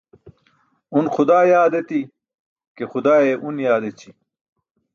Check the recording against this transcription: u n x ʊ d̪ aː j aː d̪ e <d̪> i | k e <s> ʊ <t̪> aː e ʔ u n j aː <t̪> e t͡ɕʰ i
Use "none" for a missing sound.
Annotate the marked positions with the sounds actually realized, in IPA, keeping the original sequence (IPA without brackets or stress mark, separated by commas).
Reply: t̪, x, d̪, d̪